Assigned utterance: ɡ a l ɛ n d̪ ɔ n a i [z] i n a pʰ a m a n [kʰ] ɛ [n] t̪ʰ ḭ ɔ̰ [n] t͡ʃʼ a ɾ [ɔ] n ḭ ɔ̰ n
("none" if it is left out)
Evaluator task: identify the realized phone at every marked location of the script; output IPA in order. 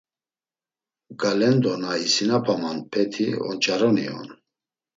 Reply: s, pʰ, none, n, ɔ

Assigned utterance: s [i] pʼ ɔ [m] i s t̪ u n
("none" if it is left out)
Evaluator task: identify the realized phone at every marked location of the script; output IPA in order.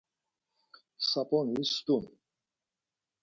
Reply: a, n

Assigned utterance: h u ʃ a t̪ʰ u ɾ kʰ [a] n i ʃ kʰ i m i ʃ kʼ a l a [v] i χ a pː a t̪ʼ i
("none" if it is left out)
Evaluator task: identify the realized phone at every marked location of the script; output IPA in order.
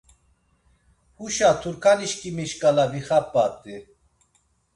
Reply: a, v

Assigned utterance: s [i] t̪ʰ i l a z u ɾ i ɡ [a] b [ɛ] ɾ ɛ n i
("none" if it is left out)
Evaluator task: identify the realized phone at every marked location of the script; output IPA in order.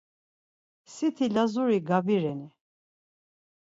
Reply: i, a, i

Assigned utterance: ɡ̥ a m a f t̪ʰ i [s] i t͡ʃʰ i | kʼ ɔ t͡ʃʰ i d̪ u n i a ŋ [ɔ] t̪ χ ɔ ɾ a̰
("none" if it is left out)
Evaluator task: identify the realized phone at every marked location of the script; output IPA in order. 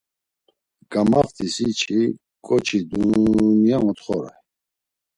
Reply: s, ɔ

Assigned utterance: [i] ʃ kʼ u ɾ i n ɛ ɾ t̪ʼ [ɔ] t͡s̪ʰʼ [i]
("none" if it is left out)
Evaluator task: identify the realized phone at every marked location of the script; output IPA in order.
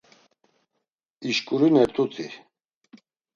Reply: i, u, i

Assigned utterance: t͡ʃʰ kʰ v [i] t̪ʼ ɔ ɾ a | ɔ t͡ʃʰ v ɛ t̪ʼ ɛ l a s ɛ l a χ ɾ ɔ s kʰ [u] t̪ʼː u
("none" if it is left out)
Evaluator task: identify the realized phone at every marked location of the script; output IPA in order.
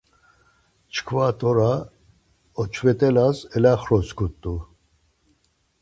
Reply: a, u

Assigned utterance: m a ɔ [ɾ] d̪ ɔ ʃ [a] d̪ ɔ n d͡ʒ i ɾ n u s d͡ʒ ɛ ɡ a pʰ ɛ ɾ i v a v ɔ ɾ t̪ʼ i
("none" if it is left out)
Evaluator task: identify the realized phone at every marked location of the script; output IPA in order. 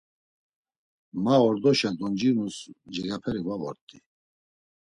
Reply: ɾ, a

